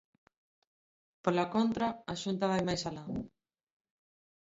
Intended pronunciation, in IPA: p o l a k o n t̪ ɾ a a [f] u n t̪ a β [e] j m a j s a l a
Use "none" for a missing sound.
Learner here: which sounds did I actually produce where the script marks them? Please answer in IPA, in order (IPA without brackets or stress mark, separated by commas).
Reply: ʃ, a